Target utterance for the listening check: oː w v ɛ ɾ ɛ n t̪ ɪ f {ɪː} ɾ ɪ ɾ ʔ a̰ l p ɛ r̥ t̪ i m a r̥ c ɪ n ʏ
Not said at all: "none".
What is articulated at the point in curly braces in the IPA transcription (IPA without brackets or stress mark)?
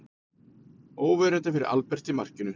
ɪ